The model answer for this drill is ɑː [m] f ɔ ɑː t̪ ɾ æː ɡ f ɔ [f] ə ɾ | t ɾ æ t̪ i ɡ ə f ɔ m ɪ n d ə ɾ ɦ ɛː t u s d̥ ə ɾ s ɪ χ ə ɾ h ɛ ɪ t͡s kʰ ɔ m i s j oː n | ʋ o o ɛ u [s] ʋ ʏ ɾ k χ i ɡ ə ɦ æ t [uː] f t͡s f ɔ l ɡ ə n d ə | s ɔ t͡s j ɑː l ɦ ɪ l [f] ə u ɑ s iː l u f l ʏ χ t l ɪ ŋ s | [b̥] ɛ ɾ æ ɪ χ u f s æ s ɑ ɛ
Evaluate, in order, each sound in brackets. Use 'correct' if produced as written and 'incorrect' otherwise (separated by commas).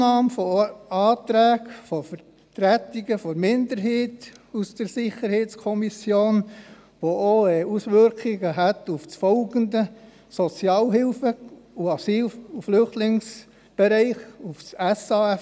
correct, correct, correct, incorrect, correct, correct